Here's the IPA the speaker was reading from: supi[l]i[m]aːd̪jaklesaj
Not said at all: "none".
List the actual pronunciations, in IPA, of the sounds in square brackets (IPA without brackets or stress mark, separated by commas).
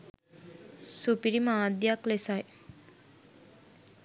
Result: ɾ, m